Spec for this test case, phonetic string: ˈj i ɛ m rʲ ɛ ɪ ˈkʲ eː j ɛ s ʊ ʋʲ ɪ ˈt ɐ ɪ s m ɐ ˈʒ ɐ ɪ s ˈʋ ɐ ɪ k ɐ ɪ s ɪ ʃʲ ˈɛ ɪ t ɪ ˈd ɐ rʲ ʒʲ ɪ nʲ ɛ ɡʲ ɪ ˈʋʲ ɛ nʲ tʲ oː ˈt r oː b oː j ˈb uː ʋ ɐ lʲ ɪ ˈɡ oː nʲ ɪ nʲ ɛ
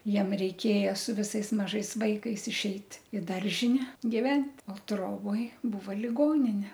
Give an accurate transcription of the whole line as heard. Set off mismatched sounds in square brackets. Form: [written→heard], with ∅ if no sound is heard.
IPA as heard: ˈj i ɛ m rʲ ɛ ɪ ˈkʲ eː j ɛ s ʊ ʋʲ ɪ [ˈt→ˈs] ɐ ɪ s m ɐ ˈʒ ɐ ɪ s ˈʋ ɐ ɪ k ɐ ɪ s ɪ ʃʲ ˈɛ ɪ t ɪ ˈd ɐ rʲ ʒʲ ɪ nʲ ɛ ɡʲ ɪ ˈʋʲ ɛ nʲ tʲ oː ˈt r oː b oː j ˈb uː ʋ ɐ lʲ ɪ ˈɡ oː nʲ ɪ nʲ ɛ